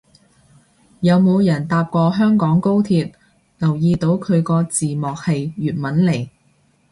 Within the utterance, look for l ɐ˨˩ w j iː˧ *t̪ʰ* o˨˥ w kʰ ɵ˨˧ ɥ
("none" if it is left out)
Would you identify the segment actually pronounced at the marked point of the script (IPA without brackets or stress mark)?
t̪